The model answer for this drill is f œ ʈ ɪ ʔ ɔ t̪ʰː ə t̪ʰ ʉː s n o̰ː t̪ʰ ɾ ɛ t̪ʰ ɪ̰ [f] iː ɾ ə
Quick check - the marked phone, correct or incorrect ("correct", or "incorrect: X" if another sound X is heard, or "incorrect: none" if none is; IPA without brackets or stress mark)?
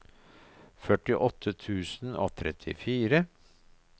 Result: correct